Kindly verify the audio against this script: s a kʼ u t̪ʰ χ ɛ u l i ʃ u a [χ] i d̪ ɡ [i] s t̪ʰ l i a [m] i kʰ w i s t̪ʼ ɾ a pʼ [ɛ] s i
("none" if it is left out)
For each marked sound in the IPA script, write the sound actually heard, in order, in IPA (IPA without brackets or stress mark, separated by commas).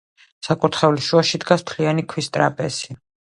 ʃ, a, n, ɛ